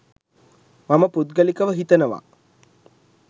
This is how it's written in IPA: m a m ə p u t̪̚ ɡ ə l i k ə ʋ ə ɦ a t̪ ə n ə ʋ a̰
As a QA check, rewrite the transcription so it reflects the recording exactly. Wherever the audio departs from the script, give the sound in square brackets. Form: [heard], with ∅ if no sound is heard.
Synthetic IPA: m a m ə p u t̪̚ ɡ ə l i k ə ʋ ə ɦ [i] t̪ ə n ə ʋ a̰